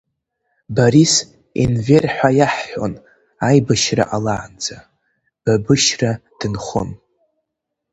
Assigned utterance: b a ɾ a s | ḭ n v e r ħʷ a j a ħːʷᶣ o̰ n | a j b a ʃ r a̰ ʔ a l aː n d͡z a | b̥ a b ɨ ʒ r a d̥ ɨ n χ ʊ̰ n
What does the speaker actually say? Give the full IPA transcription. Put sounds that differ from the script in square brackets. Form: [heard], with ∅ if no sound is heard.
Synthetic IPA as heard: b a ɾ [i] s | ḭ n v e r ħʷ a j a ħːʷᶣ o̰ n | a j b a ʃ r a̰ ʔ a l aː n d͡z a | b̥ a b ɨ [ʃ] r a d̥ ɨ n χ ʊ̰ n

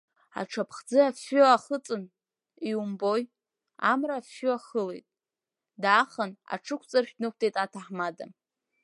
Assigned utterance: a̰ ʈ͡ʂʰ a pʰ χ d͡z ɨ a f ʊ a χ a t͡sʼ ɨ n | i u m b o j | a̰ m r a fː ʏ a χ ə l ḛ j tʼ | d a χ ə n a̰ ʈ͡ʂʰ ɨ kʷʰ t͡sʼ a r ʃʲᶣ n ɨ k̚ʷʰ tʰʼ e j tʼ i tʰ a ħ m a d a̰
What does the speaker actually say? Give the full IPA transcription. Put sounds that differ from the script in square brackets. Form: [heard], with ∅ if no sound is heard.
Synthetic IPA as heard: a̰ ʈ͡ʂʰ a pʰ χ d͡z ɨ a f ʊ a χ [ə] t͡sʼ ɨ n | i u m b o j | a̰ m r a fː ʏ a χ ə l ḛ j tʼ | d a χ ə n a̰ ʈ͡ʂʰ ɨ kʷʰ t͡sʼ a r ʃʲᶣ n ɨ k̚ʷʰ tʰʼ e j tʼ [a] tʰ a ħ m a d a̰

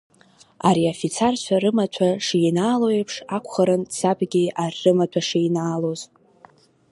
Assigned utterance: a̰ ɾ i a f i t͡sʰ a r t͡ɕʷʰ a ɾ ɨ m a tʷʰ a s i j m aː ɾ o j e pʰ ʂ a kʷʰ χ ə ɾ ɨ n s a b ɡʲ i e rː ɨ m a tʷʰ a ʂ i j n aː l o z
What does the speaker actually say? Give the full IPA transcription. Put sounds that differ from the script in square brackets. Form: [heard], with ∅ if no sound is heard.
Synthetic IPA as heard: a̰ ɾ i a f i t͡sʰ a r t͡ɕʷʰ a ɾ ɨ m a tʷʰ a [ʂ] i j [n] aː [l] o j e pʰ ʂ a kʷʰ χ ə ɾ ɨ n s a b ɡʲ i [a] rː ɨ m a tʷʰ a ʂ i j n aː l o z

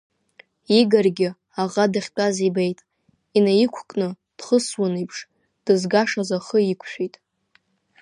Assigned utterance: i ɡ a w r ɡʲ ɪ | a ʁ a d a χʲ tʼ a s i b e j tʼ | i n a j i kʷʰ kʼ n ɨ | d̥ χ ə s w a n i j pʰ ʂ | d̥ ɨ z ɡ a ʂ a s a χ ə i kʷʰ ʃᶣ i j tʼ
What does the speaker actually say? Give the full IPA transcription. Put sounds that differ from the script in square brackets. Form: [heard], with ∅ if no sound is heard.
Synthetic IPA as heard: i ɡ a [∅] r ɡʲ ɪ | a ʁ a d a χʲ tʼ a [z] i b e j tʼ | i n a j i kʷʰ kʼ n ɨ | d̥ χ ə s w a n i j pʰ ʂ | d̥ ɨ z ɡ a ʂ a [z] a χ ə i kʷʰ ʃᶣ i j tʼ

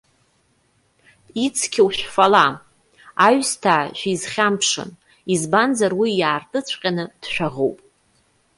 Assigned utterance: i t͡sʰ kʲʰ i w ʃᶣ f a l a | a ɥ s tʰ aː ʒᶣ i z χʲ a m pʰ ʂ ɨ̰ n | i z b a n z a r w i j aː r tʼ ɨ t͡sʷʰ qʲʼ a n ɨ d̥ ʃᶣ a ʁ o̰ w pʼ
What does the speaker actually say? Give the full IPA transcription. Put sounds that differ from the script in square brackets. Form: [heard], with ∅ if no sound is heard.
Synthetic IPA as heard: i t͡sʰ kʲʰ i w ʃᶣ f a l a | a ɥ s tʰ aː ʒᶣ i z χʲ a m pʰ ʂ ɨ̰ n | i z b a n z a r w i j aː r tʼ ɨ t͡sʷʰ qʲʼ a n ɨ d̥ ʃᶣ a ʁ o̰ w pʼ

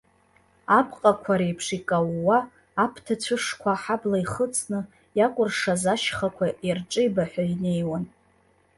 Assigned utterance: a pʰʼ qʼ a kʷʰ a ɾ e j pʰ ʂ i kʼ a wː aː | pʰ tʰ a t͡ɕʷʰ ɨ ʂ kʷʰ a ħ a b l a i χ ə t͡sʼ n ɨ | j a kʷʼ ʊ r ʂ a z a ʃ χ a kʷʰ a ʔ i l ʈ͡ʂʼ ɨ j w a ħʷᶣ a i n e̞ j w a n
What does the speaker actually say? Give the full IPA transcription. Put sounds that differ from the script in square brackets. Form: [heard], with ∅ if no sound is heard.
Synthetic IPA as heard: a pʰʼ qʼ a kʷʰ a ɾ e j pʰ ʂ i kʼ a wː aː | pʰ tʰ a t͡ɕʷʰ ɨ ʂ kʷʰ a ħ a b l a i χ ə t͡sʼ n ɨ | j a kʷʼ ʊ r ʂ a z a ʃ χ a kʷʰ a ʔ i [r] ʈ͡ʂʼ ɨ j [b] a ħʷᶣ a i n e̞ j w a n

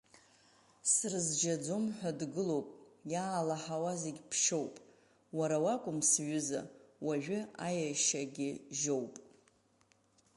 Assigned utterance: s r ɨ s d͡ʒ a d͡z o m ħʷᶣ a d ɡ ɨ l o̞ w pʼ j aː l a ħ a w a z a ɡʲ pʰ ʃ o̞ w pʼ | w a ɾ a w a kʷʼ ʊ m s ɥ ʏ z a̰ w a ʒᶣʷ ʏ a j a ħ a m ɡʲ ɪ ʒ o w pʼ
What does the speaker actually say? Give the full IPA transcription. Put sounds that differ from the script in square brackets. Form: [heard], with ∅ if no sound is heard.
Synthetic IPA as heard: s r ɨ [z] d͡ʒ a d͡z o m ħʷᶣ a d ɡ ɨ l o̞ w pʼ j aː l a ħ a w a z [e] ɡʲ pʰ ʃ o̞ w pʼ | w a ɾ a w a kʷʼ ʊ m s ɥ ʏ z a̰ w a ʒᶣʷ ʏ a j a [ʃ] a [∅] ɡʲ ɪ ʒ o w pʼ

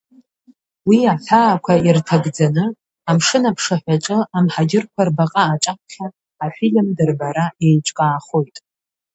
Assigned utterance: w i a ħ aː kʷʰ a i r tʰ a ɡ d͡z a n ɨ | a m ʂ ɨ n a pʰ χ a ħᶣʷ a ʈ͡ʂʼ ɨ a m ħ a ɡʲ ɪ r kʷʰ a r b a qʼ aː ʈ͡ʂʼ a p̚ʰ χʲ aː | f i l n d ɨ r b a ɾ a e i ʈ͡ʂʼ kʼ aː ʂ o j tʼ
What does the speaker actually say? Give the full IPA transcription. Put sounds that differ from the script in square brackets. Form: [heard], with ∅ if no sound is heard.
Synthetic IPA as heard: w i a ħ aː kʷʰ a i r tʰ a ɡ d͡z a n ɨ | a m ʂ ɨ n a pʰ [ʂ] a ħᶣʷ a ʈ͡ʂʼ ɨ a m ħ a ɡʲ ɪ r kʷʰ a r b a qʼ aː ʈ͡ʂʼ a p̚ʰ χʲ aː | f i l [m] d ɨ r b a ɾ a e [j] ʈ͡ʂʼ kʼ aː [χ] o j tʼ

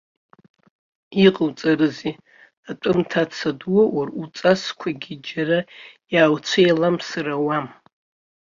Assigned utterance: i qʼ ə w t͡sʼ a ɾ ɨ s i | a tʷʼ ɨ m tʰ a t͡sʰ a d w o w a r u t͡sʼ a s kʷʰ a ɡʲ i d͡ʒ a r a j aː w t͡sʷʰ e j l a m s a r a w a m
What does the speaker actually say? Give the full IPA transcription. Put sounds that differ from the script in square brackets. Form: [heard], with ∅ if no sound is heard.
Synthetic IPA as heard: i qʼ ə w t͡sʼ a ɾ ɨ [z] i | a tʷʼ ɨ m tʰ a t͡sʰ a d w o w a r u t͡sʼ a s kʷʰ a ɡʲ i d͡ʒ a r a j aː w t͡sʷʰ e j l a m s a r a w a m

